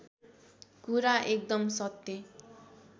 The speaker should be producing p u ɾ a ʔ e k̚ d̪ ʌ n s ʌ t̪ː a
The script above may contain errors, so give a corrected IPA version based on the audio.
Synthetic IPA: k u ɾ a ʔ e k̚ d̪ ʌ m s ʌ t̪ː e